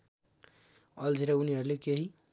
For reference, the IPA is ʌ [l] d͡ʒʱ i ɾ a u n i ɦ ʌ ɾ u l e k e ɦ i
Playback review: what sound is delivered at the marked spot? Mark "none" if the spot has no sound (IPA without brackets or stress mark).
l